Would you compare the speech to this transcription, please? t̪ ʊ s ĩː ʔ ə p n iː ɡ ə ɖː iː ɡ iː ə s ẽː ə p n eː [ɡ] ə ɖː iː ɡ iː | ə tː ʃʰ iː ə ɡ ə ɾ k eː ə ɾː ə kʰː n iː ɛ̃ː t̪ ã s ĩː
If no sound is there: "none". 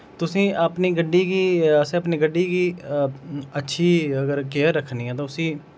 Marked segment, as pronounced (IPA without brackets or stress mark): ɡ